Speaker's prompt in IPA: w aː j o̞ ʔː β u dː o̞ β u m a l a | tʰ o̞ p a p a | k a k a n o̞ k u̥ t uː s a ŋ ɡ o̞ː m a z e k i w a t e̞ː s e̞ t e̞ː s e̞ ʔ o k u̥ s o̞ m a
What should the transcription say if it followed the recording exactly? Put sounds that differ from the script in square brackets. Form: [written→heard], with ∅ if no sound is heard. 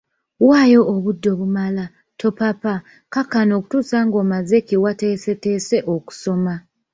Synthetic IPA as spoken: w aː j o̞ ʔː β u dː o̞ β u m a l a | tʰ o̞ p a p a | k a k a n o̞ k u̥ t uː s a ŋ ɡ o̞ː m a z e k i w a t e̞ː s e̞ t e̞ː s e̞ ʔ o k u̥ s o̞ m a